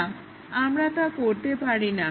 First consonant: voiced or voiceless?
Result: voiced